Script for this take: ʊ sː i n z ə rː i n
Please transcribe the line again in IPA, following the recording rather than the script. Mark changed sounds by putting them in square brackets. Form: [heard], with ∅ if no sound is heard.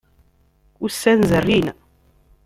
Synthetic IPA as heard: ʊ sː [æ] n z ə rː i n